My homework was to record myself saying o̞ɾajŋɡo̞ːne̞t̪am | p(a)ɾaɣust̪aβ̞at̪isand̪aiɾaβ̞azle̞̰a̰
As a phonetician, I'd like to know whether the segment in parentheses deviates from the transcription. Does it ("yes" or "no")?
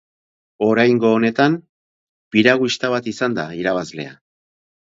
yes